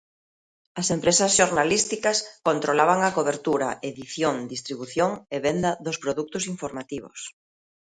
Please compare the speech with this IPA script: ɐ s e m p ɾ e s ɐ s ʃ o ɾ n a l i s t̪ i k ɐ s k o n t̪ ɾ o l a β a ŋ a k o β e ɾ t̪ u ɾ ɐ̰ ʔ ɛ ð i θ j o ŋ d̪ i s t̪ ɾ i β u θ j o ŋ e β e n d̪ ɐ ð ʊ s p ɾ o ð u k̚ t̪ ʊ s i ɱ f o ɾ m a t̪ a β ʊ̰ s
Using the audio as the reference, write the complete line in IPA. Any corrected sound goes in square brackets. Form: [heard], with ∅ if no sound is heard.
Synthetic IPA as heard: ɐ s e m p ɾ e s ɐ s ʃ o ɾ n a l i s t̪ i k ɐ s k o n t̪ ɾ o l a β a ŋ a k o β e ɾ t̪ u ɾ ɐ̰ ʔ [e] ð i θ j o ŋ d̪ i s t̪ ɾ i β u θ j o ŋ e β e n d̪ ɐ ð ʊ s p ɾ o ð u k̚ t̪ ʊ s i ɱ f o ɾ m a t̪ [i] β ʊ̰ s